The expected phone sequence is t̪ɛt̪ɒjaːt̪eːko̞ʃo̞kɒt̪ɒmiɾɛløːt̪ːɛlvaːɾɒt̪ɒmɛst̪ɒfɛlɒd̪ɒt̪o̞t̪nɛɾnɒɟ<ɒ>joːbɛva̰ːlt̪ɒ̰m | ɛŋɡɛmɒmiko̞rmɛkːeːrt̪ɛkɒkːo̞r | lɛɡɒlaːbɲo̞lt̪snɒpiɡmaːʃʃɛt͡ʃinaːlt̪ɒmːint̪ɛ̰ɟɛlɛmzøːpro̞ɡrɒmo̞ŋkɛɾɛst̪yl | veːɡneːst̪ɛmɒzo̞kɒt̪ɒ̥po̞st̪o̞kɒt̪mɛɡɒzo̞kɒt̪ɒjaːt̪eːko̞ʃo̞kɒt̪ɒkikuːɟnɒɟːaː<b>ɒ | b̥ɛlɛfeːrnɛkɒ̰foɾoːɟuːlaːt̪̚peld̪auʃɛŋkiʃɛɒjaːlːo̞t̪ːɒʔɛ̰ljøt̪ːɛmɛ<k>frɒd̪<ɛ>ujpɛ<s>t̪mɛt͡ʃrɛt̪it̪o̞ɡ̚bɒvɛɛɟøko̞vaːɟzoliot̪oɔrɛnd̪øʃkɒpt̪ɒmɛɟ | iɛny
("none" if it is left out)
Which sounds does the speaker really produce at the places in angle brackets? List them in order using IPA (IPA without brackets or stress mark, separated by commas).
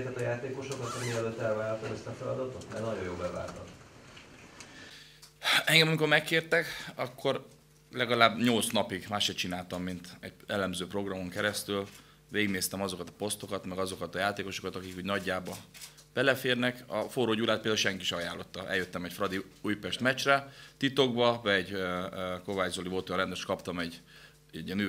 o, b, c, i, ʃ